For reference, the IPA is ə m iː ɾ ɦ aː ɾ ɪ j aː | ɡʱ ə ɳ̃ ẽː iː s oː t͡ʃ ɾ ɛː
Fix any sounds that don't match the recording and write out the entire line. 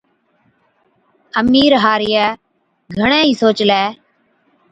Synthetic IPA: ə m iː ɾ ɦ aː ɾ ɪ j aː | ɡʱ ə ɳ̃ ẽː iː s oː t͡ʃ l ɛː